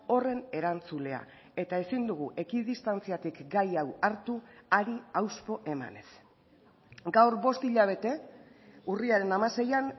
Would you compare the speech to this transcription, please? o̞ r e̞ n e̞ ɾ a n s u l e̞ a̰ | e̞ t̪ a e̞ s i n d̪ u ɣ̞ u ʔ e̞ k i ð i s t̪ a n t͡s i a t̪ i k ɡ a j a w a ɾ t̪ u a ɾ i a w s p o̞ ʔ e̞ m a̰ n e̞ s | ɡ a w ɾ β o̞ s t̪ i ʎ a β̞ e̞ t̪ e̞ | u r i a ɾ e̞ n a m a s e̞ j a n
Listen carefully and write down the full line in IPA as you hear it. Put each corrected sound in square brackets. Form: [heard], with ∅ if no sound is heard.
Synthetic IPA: o̞ r e̞ n e̞ ɾ a n [t͡s] u l e̞ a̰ | e̞ t̪ a e̞ s i n d̪ u ɣ̞ u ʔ e̞ k i ð i s t̪ a n t͡s i a t̪ i k ɡ a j a w a ɾ t̪ u a ɾ i a w s p o̞ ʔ e̞ m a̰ n e̞ s | ɡ a w ɾ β o̞ s t̪ i ʎ a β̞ e̞ t̪ e̞ | u r i a ɾ e̞ n a m a s e̞ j a n